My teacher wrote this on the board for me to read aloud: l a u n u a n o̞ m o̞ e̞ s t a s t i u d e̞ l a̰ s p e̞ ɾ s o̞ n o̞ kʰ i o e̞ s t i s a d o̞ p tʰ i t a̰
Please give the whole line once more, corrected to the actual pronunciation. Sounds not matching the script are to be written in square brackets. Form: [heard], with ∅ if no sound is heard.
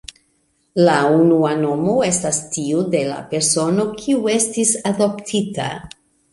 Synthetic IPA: l a u n u a n o̞ m o̞ e̞ s t a s t i u d e̞ l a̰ [∅] p e̞ ɾ s o̞ n o̞ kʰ i [u] e̞ s t i s a d o̞ p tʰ i t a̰